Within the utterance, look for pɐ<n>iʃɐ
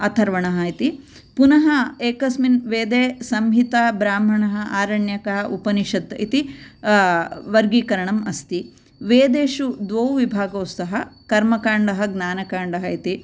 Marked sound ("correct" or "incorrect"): correct